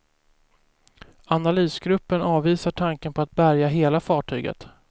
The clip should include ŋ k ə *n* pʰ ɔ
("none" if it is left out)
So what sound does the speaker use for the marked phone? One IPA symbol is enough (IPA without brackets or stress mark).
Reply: n